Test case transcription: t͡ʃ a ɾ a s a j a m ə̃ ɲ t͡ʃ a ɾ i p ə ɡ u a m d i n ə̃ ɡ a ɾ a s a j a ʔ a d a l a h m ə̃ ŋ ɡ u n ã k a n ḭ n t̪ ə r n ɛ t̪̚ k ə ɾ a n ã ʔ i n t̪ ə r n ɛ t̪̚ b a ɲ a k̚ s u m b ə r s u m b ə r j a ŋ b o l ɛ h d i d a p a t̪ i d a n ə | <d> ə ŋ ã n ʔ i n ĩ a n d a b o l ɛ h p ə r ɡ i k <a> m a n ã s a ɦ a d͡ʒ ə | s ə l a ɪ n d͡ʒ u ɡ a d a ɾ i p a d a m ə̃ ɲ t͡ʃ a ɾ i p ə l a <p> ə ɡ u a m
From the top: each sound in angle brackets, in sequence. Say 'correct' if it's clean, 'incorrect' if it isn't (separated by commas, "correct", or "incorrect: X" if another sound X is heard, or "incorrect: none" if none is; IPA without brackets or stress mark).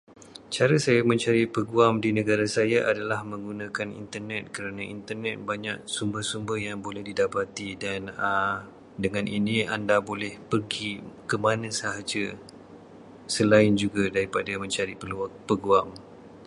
correct, incorrect: ə, correct